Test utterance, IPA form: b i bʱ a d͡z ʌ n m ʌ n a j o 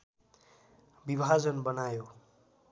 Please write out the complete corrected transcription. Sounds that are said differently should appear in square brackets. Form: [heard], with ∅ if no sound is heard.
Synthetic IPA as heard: b i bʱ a d͡z ʌ n [b] ʌ n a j o